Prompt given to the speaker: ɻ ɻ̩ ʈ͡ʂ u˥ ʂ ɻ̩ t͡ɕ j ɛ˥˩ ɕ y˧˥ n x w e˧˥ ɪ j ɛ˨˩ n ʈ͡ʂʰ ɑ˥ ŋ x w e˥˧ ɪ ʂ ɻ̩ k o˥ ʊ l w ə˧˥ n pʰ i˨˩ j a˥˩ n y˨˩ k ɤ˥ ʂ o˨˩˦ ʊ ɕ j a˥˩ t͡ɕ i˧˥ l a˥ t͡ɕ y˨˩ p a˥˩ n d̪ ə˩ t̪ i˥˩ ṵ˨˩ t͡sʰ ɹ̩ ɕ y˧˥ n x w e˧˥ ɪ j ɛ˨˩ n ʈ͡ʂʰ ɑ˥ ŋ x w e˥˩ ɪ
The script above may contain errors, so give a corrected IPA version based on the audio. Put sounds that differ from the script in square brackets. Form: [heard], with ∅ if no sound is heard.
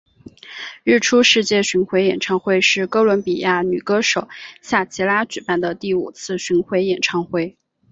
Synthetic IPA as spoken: ɻ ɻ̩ [ʈ͡ʂʰ] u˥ ʂ ɻ̩ t͡ɕ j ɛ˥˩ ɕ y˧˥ n x w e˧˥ ɪ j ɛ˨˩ n ʈ͡ʂʰ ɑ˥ ŋ x w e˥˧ ɪ ʂ ɻ̩ k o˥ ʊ l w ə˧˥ n [p] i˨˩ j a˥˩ n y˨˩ k ɤ˥ ʂ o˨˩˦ ʊ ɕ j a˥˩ [t͡ɕʰ] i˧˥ l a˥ t͡ɕ y˨˩ p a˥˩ n d̪ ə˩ t̪ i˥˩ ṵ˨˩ t͡sʰ ɹ̩ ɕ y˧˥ n x w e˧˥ ɪ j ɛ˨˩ n ʈ͡ʂʰ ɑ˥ ŋ x w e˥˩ ɪ